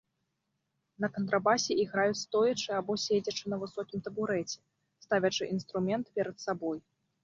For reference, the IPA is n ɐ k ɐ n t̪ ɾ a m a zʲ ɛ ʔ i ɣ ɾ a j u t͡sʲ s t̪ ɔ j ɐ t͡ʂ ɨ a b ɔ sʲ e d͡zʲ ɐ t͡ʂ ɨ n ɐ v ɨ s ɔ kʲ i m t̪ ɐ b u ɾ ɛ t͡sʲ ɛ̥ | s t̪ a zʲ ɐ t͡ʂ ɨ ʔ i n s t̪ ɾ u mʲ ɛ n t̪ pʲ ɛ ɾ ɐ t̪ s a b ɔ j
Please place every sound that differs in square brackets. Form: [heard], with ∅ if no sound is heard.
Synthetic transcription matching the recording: n ɐ k ɐ n t̪ ɾ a [b] a [sʲ] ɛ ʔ i ɣ ɾ a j u t͡sʲ s t̪ ɔ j ɐ t͡ʂ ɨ a b ɔ sʲ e d͡zʲ ɐ t͡ʂ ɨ n ɐ v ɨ s ɔ kʲ i m t̪ ɐ b u ɾ ɛ t͡sʲ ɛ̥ | s t̪ a [vʲ] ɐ t͡ʂ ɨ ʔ i n s t̪ ɾ u mʲ ɛ n t̪ pʲ ɛ ɾ ɐ t̪ s a b ɔ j